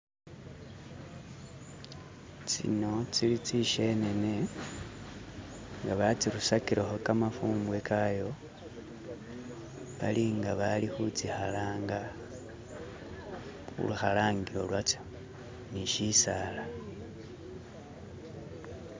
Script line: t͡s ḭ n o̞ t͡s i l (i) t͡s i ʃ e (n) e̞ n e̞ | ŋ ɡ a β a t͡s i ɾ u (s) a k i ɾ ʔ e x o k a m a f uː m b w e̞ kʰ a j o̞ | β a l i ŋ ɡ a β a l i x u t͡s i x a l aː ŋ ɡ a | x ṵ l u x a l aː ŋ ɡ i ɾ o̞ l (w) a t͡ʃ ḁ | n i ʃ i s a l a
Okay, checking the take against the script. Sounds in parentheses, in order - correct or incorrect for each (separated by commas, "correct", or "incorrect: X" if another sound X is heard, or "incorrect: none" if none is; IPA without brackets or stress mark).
correct, correct, correct, correct